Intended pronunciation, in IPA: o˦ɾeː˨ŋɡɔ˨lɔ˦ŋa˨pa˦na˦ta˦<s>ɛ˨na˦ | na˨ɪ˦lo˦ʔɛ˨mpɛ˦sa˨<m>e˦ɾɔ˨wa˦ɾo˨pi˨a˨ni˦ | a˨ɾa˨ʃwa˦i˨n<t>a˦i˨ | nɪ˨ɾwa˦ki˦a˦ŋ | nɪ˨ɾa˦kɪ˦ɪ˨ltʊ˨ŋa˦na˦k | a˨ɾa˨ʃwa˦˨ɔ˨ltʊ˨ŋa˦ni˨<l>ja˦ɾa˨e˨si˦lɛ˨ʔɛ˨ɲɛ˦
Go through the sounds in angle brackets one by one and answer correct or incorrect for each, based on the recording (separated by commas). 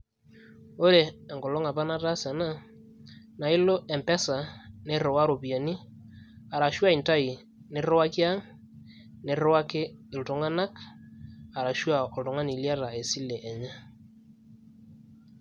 correct, incorrect, correct, correct